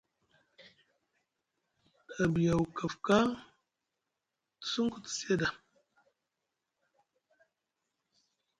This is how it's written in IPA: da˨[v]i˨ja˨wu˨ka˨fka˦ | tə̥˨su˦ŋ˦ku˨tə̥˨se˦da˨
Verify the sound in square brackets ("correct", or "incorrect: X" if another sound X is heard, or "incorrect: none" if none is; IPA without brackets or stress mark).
incorrect: b